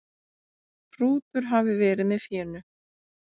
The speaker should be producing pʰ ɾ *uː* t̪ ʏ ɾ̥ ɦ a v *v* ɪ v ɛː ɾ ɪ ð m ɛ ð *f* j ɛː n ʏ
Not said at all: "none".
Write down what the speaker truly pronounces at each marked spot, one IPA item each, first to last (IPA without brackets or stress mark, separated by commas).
uː, ð, f